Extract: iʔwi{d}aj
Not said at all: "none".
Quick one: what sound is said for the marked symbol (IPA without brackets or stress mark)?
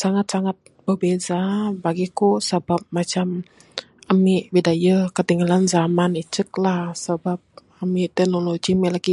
d